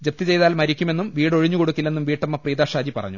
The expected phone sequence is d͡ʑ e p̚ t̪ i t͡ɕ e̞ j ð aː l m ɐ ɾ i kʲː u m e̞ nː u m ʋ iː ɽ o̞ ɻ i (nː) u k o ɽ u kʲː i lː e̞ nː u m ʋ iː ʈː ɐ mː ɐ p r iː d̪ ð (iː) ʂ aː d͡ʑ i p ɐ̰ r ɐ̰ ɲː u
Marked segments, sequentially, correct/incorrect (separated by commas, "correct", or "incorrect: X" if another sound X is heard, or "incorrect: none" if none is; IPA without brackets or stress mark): incorrect: ɲː, incorrect: aː